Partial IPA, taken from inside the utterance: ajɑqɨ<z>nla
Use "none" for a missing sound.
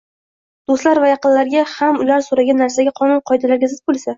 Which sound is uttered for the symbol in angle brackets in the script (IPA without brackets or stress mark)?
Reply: none